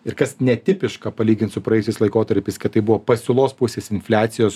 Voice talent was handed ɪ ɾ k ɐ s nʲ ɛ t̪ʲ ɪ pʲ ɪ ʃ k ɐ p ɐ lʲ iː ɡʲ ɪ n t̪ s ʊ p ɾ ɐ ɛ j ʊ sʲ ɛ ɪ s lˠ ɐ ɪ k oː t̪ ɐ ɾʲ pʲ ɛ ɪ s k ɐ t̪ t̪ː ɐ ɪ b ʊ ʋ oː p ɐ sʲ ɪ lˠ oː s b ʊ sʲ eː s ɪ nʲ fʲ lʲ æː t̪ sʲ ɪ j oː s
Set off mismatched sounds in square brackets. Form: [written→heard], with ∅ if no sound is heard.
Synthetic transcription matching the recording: ɪ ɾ k ɐ s nʲ ɛ t̪ʲ ɪ pʲ ɪ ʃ k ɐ p ɐ lʲ iː ɡʲ ɪ n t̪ s ʊ p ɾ ɐ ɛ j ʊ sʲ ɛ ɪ s lˠ ɐ ɪ k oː t̪ ɐ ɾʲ pʲ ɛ ɪ s k ɐ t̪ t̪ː ɐ ɪ b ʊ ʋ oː p ɐ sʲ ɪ lˠ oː s [b→p] ʊ sʲ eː s ɪ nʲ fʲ lʲ æː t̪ sʲ ɪ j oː s